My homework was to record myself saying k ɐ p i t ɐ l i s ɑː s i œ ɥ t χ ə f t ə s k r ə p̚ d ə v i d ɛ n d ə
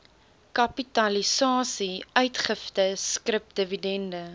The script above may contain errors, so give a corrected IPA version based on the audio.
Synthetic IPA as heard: k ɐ p i t ɐ l i s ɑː s i œ ɥ t χ ə f t ə s k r ə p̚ d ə v i d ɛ n d ə